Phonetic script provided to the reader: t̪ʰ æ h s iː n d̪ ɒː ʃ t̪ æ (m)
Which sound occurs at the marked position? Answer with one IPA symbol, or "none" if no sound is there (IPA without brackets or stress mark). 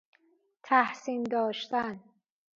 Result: n